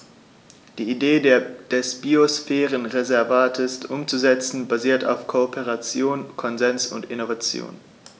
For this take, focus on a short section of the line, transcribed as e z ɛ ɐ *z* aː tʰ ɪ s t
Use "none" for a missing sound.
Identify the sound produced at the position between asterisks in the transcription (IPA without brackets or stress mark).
v